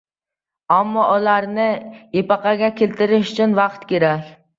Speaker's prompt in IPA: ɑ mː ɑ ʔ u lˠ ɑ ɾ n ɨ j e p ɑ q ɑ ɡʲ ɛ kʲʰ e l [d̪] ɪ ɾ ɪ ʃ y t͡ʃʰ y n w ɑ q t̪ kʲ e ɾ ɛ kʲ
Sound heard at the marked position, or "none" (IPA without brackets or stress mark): t̪